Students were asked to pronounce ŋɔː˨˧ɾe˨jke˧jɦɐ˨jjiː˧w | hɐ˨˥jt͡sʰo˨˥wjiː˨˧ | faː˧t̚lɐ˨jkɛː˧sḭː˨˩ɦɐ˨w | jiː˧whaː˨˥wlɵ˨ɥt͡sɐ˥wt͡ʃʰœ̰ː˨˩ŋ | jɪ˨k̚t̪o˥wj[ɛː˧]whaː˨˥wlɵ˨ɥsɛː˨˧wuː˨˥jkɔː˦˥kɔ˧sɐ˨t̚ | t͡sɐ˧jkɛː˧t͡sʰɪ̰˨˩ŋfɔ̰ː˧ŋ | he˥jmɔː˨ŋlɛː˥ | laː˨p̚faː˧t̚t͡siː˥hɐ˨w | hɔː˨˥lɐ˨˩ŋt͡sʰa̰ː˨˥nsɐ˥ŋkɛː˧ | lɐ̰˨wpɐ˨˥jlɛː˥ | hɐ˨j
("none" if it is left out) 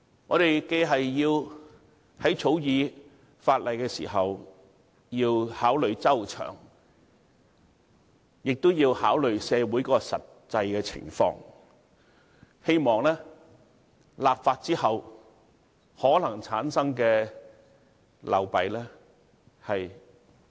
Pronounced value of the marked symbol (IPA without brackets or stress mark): iː˧